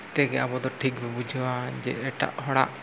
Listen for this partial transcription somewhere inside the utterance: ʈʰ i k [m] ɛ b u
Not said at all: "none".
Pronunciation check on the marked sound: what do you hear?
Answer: b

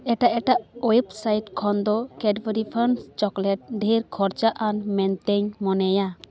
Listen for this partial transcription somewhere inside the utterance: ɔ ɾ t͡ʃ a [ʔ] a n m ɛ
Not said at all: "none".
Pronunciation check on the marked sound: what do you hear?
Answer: ʔ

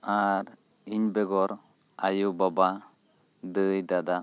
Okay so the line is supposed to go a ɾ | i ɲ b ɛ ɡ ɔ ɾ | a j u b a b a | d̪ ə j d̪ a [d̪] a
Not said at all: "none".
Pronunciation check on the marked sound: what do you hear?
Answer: d̪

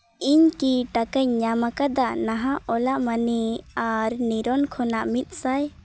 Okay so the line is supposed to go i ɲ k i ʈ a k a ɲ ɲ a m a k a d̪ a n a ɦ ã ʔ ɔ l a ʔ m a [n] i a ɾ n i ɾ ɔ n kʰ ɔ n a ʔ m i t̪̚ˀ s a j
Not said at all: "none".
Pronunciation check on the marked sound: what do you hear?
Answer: n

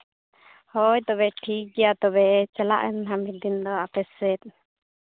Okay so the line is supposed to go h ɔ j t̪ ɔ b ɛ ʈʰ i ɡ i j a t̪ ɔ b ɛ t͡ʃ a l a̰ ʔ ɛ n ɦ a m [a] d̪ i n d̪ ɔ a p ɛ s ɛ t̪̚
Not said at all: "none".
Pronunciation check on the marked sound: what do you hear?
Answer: i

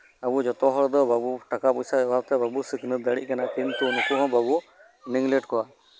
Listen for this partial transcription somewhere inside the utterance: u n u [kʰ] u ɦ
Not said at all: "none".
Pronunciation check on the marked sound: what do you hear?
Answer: k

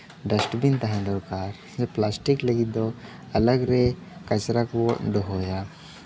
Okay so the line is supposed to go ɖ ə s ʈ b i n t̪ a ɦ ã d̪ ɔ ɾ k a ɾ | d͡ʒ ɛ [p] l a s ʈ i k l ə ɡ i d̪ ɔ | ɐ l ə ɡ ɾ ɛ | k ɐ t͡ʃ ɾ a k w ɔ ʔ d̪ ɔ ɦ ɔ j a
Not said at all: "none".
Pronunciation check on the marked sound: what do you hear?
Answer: p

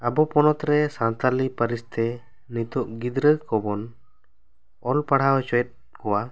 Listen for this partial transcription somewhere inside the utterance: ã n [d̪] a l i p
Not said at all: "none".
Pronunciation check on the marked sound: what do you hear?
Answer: t̪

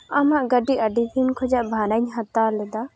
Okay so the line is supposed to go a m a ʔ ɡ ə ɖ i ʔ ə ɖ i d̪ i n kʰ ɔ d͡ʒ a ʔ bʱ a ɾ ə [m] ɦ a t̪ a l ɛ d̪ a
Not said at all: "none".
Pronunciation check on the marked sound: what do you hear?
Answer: ɲ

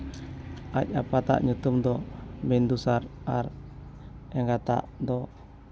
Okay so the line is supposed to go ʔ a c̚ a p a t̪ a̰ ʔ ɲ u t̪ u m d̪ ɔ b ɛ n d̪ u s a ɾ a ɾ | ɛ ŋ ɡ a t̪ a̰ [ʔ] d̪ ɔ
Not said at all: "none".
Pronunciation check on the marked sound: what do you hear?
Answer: ʔ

